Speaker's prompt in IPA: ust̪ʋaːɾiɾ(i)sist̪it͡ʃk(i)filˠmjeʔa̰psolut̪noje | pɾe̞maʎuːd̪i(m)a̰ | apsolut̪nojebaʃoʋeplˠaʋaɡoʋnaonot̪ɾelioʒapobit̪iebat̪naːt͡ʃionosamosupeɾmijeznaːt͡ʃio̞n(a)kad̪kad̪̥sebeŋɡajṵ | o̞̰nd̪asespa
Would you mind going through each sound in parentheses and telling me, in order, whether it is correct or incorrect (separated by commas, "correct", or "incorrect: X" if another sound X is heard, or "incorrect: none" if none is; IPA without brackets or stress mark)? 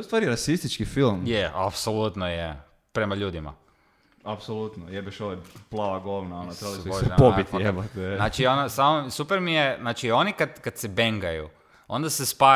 incorrect: a, correct, correct, incorrect: i